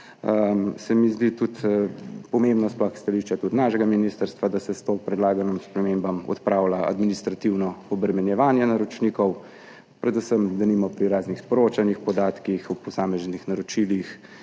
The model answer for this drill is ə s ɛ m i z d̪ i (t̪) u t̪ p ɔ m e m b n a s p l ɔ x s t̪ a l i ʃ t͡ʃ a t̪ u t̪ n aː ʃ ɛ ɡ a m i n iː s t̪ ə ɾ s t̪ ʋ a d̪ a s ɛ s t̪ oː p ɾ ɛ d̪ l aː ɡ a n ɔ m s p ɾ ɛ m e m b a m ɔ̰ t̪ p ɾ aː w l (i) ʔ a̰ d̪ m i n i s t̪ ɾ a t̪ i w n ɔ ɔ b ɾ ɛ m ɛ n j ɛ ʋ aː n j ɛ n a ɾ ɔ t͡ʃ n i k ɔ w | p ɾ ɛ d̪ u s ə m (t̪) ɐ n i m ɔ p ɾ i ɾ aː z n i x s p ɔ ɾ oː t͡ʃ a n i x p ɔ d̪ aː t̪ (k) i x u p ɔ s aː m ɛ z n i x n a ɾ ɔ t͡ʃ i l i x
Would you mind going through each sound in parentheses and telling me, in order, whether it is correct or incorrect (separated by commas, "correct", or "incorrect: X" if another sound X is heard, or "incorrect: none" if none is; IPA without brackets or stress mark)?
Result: correct, incorrect: a, incorrect: d̪, correct